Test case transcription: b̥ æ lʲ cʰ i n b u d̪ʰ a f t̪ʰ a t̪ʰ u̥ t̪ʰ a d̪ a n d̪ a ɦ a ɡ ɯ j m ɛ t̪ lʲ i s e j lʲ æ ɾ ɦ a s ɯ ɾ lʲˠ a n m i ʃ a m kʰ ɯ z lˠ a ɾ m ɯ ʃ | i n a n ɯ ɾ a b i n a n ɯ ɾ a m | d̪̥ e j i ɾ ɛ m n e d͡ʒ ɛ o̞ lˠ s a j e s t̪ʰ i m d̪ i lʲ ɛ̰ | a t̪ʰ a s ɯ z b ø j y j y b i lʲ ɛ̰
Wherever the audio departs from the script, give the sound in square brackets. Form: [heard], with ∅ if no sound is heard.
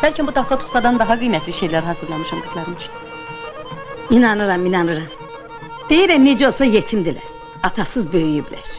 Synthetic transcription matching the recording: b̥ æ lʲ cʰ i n b u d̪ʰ a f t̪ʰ a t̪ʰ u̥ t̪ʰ a d̪ a n d̪ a ɦ a ɡ ɯ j m ɛ t̪ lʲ i [ʃ] e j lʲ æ ɾ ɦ a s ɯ ɾ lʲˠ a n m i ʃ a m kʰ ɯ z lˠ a ɾ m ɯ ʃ | i n a n ɯ ɾ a [m] i n a n ɯ ɾ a m | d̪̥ e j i ɾ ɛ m n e d͡ʒ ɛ o̞ lˠ s a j e [∅] t̪ʰ i m d̪ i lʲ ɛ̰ | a t̪ʰ a s ɯ z b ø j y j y b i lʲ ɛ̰